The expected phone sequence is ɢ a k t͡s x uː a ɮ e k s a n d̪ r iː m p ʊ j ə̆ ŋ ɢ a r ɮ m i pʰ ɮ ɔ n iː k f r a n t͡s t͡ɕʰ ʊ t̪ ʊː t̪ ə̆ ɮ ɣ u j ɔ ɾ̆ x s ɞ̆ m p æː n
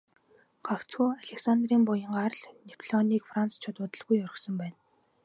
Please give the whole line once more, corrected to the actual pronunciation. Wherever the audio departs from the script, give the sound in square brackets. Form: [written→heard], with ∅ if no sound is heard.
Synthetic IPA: ɢ a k t͡s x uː a ɮ e k s a n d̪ r iː m p ʊ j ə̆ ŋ ɢ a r ɮ [m→n] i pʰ ɮ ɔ n iː k f r a n t͡s t͡ɕʰ ʊ t̪ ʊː t̪ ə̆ ɮ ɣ u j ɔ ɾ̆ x s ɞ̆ m p æː n